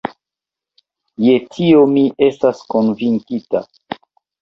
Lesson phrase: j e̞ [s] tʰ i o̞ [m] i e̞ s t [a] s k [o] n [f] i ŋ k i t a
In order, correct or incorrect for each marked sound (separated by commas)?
incorrect, correct, correct, correct, incorrect